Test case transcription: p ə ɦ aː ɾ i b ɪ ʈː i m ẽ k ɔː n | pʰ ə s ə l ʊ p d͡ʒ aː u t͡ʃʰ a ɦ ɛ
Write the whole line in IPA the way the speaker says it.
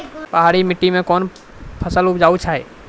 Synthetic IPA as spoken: p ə ɦ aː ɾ i m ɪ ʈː i m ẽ k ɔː n | pʰ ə s ə l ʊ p d͡ʒ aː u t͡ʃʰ a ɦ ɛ